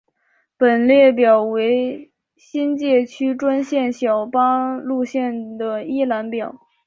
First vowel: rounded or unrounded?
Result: unrounded